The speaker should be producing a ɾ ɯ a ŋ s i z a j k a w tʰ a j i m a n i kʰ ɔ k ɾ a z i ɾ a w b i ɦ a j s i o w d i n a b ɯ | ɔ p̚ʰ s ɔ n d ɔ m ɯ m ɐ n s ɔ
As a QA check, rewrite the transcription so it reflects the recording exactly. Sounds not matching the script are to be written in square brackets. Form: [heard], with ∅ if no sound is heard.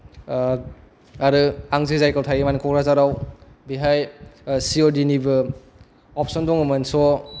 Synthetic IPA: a ɾ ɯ a ŋ [z] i z a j k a w tʰ a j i m a n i kʰ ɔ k ɾ a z [a] ɾ a w b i ɦ a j s i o [∅] d i n [i] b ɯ | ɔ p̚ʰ s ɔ n d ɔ [ŋ] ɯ m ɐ n s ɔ